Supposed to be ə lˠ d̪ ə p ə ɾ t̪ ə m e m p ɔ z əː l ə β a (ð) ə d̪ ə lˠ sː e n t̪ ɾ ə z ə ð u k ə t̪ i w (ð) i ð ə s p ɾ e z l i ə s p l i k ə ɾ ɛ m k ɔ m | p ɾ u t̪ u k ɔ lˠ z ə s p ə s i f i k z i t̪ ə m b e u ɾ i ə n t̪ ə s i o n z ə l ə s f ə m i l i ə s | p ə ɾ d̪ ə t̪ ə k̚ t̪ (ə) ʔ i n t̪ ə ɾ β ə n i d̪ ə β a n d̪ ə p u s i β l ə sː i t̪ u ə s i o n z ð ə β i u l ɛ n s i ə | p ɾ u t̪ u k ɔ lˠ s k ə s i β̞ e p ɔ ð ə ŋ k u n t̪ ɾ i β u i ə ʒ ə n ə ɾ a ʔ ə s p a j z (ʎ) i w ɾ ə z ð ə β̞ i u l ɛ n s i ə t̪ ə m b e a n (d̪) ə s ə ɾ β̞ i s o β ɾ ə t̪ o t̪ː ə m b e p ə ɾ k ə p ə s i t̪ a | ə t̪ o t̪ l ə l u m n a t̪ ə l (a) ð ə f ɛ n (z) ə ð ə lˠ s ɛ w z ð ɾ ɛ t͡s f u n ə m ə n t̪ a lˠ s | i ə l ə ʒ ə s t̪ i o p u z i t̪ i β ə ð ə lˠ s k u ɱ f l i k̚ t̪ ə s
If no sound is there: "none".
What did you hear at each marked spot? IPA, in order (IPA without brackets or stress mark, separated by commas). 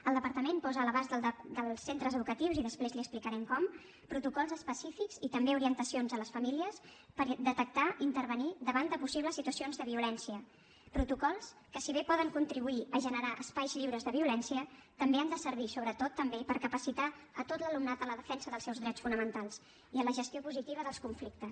z, z, a, ʎ, d̪, ə, s